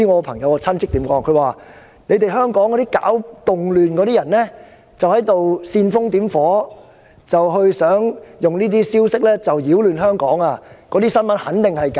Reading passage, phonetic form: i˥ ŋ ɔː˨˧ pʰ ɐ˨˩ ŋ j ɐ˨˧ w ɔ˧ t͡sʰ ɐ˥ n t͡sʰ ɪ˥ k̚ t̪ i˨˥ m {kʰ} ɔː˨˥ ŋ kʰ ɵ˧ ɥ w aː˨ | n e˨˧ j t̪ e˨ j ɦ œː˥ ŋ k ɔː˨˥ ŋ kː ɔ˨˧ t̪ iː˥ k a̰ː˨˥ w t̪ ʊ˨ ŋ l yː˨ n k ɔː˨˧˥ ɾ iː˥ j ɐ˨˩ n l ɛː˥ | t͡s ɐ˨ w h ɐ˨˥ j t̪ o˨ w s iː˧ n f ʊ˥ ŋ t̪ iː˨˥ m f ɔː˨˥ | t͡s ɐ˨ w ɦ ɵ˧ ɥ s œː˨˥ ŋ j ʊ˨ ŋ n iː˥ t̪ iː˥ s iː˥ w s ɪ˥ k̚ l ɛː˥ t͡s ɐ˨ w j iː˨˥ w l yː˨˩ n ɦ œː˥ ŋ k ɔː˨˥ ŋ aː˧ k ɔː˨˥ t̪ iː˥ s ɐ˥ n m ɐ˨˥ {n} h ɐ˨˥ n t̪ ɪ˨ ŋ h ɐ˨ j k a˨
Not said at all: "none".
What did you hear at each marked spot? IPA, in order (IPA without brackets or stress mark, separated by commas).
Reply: k, n